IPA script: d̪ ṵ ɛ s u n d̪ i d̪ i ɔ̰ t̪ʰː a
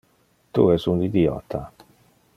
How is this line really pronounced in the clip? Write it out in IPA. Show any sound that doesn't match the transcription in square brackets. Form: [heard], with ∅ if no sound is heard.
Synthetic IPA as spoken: [t̪] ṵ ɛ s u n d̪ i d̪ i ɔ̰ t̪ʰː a